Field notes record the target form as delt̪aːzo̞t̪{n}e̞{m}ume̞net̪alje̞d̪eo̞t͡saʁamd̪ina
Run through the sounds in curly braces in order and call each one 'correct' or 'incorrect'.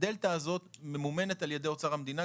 incorrect: m, correct

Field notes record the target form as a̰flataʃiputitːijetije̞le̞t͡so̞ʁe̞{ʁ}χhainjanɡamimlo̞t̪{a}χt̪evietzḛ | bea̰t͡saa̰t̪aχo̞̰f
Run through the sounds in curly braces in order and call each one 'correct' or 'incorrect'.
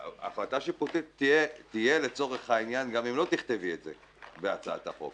incorrect: none, incorrect: i

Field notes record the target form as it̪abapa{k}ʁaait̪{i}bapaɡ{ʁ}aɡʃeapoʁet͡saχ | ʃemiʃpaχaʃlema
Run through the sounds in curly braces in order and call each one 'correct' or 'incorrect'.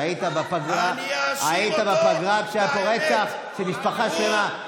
incorrect: ɡ, incorrect: a, correct

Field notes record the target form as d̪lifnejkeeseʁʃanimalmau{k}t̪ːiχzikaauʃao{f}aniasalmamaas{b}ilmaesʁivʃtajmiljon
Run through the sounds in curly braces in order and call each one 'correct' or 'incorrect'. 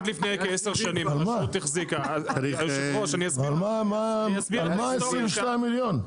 incorrect: none, incorrect: ʃ, correct

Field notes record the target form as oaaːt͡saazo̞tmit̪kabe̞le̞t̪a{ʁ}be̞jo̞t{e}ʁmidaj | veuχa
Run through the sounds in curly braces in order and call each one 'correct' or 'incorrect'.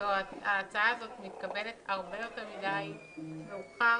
correct, correct

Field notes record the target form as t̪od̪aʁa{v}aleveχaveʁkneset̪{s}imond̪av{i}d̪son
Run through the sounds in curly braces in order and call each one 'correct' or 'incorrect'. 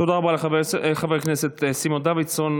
incorrect: b, correct, correct

